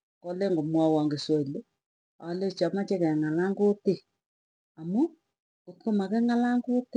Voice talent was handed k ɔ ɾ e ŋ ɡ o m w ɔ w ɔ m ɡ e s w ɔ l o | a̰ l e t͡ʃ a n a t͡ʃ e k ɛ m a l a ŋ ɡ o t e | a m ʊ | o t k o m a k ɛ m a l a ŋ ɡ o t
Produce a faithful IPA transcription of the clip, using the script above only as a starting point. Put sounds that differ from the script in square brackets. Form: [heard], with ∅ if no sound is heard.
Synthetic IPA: k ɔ [l] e ŋ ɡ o m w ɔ w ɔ [ŋ] ɡ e s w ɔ l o | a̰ l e t͡ʃ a [m] a t͡ʃ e k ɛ [ŋ] a l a ŋ ɡ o t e | a m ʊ | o t k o m a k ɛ [ŋ] a l a ŋ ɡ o t